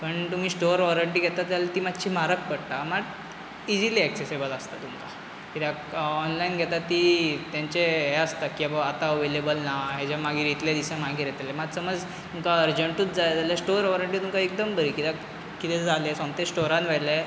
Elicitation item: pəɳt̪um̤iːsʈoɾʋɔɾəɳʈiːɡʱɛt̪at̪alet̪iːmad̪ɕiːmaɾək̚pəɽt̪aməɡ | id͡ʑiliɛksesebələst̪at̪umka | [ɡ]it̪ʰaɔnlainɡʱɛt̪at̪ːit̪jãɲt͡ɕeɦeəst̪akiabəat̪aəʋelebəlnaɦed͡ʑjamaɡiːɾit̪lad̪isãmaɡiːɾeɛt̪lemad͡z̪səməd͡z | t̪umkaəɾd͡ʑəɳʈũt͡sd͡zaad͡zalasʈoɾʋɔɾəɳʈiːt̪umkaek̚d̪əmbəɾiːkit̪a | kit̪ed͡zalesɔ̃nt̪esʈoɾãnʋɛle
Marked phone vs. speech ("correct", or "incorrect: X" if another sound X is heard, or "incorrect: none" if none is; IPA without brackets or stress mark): incorrect: k